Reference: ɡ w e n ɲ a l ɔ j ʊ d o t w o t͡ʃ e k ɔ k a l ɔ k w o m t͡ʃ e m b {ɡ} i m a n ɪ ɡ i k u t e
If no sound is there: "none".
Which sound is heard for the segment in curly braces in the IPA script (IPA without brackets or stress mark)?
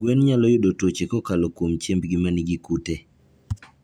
ɡ